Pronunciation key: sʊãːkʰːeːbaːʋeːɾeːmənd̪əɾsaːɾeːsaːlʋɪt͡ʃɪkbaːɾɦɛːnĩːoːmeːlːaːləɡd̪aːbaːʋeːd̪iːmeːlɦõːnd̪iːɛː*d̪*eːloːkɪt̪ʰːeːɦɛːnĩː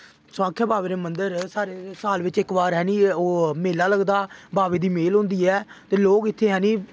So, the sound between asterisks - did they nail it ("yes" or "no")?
no